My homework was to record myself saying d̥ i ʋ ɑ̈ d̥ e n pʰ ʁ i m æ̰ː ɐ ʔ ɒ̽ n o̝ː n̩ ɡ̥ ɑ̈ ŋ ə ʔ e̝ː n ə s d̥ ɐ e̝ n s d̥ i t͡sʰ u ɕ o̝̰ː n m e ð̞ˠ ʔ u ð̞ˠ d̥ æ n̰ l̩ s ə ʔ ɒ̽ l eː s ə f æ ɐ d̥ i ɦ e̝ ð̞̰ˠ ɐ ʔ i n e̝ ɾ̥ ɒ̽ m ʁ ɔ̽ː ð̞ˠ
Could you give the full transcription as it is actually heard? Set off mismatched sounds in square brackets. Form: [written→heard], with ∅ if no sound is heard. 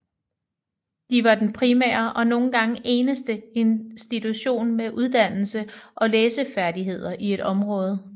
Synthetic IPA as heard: d̥ i ʋ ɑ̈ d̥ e n pʰ ʁ i m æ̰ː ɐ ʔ ɒ̽ n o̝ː n̩ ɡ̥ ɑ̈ ŋ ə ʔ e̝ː n ə s d̥ [ɐ→ə] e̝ n s d̥ i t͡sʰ u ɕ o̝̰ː n m e [ð̞ˠ→∅] ʔ u ð̞ˠ d̥ æ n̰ l̩ s ə ʔ ɒ̽ l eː s ə f æ ɐ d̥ i ɦ e̝ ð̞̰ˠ ɐ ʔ i [n→∅] e̝ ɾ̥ ɒ̽ m ʁ ɔ̽ː ð̞ˠ